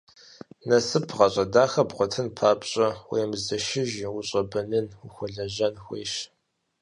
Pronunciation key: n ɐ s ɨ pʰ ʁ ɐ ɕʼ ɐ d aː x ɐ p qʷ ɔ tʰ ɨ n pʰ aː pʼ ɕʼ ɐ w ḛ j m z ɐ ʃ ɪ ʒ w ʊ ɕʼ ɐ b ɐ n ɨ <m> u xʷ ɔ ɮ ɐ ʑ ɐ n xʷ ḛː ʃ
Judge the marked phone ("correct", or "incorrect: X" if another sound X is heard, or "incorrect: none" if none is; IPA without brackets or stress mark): incorrect: n